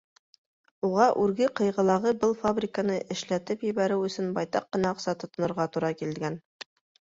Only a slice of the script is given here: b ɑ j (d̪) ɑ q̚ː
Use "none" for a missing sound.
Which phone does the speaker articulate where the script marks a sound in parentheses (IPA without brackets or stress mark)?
t̪